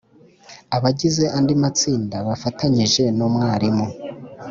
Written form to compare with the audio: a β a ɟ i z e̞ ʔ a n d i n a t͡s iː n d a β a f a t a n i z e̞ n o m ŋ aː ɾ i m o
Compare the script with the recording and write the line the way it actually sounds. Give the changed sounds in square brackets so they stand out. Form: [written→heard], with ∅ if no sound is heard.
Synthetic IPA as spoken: a β a ɟ i z e̞ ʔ a n d i [n→m] a t͡s iː n d a β a f a t a [n→ɲ] i [z→ʒ] e̞ n o m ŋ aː ɾ i m o